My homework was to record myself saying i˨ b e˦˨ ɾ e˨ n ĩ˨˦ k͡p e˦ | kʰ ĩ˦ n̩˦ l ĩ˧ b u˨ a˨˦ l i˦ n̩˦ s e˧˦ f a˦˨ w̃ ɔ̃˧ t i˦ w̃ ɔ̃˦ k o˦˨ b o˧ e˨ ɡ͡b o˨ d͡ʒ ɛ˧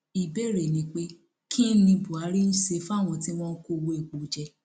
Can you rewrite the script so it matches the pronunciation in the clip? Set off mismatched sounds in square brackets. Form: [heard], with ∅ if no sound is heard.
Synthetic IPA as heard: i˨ b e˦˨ ɾ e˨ n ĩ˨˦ k͡p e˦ | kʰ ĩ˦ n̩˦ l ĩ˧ b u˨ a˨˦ [ɾ] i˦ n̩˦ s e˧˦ f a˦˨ w̃ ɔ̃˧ t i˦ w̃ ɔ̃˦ k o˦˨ [w] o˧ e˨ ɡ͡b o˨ d͡ʒ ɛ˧